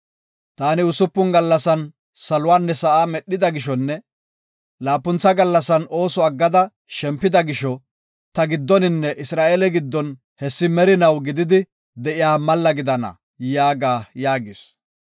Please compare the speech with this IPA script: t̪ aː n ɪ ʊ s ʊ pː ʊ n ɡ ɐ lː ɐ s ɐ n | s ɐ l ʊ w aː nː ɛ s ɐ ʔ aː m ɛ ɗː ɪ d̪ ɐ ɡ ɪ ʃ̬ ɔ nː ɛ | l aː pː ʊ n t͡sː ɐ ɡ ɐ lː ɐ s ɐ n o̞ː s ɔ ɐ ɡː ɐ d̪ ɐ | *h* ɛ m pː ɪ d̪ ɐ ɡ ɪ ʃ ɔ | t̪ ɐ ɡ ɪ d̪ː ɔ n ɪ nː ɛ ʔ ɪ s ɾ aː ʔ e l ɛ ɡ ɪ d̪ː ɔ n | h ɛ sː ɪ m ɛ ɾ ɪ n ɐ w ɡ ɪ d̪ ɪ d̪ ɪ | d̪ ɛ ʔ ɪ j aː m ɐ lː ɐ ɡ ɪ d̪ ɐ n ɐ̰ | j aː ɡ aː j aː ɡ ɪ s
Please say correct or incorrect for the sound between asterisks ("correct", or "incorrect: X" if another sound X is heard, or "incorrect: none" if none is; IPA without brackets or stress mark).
incorrect: ʃ